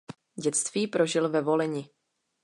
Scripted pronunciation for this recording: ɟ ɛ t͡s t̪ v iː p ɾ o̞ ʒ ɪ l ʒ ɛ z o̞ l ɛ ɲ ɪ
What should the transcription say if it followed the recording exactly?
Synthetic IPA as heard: ɟ ɛ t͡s t̪ v iː p ɾ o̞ ʒ ɪ l v ɛ v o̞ l ɛ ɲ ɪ